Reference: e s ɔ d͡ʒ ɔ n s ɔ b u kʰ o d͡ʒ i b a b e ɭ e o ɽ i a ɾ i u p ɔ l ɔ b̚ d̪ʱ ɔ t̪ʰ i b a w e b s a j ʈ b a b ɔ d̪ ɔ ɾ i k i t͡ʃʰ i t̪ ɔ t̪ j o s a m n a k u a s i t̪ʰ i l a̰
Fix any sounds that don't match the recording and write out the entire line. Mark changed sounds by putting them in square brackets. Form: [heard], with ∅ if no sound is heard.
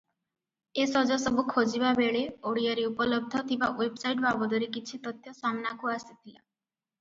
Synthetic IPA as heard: e s ɔ d͡ʒ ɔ [∅] s ɔ b u kʰ o d͡ʒ i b a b e ɭ e o ɽ i a ɾ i u p ɔ l ɔ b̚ d̪ʱ ɔ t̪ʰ i b a w e b s a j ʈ b a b ɔ d̪ ɔ ɾ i k i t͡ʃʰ i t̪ ɔ t̪ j [ɔ] s a m n a k u a s i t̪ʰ i l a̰